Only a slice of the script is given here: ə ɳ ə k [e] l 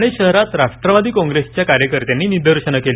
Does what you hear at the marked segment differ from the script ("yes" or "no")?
no